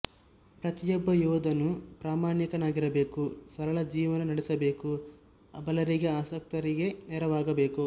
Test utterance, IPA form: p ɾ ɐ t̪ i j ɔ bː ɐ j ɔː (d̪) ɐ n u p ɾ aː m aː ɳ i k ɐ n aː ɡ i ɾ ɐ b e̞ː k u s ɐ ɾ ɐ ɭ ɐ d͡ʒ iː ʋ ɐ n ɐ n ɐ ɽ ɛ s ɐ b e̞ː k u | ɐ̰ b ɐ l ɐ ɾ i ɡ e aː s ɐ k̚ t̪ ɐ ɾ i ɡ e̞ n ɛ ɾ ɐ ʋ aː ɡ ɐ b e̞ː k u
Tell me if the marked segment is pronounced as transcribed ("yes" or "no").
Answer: yes